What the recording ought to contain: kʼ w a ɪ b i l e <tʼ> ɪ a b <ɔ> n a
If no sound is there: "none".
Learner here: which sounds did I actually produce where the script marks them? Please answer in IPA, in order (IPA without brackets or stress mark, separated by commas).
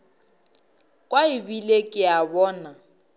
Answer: kʼ, ɔː